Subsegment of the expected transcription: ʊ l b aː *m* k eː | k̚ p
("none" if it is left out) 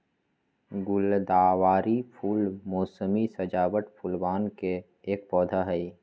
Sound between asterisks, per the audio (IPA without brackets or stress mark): n